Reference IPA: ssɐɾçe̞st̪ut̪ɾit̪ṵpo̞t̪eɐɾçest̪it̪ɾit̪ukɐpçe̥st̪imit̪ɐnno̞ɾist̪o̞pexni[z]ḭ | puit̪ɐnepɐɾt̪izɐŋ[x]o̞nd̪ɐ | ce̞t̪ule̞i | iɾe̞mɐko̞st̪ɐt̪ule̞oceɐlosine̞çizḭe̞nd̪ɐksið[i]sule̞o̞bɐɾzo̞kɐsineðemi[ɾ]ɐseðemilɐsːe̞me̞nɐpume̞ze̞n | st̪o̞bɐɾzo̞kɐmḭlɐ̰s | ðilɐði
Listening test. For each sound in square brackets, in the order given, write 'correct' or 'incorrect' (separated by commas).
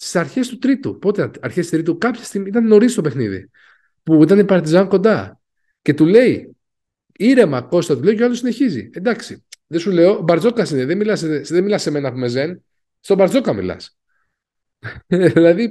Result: incorrect, incorrect, incorrect, incorrect